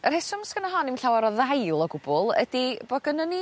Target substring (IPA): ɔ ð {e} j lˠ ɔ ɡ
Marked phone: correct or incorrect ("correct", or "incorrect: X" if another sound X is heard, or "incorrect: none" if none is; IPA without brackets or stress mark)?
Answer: incorrect: a